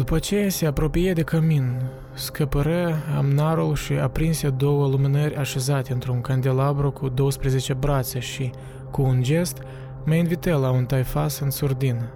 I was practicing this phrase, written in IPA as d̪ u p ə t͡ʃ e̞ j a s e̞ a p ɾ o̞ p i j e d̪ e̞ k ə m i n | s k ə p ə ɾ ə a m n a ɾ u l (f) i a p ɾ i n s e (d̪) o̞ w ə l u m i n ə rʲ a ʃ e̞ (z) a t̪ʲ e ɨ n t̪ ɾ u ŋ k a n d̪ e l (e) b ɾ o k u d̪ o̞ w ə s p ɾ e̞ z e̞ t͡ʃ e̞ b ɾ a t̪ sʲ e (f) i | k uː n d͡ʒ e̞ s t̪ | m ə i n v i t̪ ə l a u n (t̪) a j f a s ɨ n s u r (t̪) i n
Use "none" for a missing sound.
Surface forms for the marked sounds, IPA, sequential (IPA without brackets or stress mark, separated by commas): ʃ, d̪, z, a, ʃ, t̪, d̪